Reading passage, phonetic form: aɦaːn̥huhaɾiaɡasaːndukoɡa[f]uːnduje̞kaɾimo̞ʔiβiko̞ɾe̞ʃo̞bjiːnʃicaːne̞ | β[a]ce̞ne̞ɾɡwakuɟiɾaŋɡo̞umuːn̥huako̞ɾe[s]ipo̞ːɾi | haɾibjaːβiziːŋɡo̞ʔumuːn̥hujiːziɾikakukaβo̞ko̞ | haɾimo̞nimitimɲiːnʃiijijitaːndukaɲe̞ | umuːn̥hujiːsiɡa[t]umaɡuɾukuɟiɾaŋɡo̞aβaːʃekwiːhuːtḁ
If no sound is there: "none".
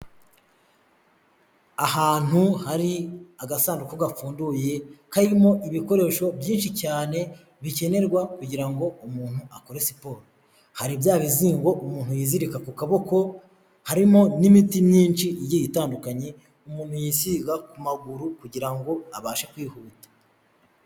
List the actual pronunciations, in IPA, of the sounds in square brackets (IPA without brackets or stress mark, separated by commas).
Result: f, i, s, k